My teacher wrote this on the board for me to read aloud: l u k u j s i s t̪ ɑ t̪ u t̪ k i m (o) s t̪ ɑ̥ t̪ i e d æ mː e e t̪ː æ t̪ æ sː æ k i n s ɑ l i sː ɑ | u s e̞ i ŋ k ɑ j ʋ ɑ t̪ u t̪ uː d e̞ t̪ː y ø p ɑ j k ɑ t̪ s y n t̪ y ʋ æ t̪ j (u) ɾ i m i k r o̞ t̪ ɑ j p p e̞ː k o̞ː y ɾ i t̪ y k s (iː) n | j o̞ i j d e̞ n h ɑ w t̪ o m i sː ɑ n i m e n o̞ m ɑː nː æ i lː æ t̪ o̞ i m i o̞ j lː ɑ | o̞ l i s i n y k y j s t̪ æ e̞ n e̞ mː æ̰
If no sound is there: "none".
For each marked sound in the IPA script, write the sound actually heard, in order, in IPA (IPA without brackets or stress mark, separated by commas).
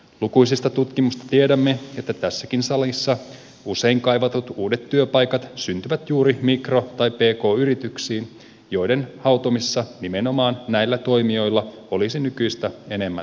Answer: u, uː, iː